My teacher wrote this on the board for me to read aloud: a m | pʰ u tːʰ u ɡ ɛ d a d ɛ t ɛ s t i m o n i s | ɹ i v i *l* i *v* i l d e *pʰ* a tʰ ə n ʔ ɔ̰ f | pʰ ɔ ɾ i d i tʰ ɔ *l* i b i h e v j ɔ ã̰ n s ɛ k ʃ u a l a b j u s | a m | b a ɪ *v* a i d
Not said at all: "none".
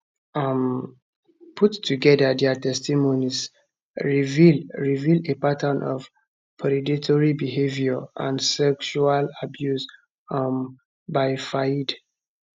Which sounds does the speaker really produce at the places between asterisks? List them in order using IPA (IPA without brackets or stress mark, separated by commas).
ɹ, v, p, ɹ, f